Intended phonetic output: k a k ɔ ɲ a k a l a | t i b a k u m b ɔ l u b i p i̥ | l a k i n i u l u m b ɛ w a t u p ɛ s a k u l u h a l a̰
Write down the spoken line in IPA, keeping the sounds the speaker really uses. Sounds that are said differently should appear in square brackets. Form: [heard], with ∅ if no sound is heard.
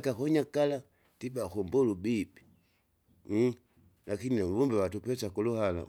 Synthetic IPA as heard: k a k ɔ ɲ a k a l a | t i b a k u m b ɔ l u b i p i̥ | l a k i n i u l u m b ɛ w a t u p ɛ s a k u l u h a l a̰